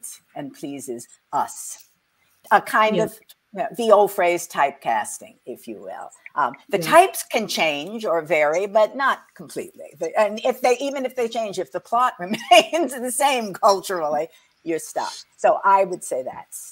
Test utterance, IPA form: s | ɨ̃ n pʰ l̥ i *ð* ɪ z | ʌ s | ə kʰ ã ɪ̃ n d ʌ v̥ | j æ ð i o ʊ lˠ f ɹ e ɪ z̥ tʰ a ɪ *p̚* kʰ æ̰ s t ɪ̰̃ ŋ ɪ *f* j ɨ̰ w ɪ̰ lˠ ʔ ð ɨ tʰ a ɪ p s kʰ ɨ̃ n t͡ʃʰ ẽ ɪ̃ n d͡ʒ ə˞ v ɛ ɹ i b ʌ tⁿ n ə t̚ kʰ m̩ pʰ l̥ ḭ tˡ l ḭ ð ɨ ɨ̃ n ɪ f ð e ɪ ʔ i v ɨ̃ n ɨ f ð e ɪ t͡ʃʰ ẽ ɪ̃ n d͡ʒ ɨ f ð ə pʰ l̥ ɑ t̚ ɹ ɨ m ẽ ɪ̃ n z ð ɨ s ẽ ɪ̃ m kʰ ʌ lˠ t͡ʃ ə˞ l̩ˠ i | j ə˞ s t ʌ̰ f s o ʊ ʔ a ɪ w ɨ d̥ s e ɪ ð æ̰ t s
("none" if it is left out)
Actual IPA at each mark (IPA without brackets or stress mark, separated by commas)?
z, p̚, f